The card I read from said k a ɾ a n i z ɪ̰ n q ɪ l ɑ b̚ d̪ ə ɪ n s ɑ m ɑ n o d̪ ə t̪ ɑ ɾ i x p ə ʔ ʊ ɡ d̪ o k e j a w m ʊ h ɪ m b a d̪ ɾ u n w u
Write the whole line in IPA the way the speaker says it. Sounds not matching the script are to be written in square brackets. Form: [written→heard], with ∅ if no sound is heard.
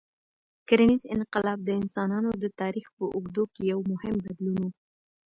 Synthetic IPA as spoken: k a ɾ a n i z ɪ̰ n q ɪ l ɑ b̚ d̪ ə ɪ n s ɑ [m→n] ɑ n o d̪ ə t̪ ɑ ɾ i x p ə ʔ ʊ ɡ d̪ o k e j a w m ʊ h ɪ m b a d̪ [ɾ→l] u n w u